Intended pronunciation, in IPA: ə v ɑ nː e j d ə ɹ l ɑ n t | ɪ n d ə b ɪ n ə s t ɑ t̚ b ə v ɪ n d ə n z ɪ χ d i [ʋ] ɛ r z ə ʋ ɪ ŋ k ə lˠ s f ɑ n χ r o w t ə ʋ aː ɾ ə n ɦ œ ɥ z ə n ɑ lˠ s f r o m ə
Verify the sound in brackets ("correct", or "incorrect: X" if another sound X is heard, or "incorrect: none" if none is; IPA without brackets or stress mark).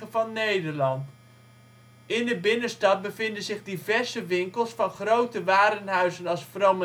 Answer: incorrect: v